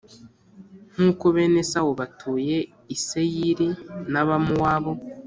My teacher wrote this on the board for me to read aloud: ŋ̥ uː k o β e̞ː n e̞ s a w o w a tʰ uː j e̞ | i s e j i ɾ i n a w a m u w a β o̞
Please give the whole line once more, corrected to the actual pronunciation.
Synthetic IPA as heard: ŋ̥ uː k o β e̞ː n e̞ s a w o β a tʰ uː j e̞ | i s e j i ɾ i n a β a m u w a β o̞